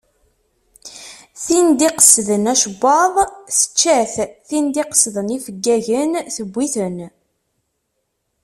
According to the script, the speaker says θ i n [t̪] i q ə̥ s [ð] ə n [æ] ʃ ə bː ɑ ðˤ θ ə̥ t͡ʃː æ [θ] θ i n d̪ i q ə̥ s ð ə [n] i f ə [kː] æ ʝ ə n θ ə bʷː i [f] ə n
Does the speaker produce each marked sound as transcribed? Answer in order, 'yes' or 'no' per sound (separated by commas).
no, yes, yes, yes, yes, no, no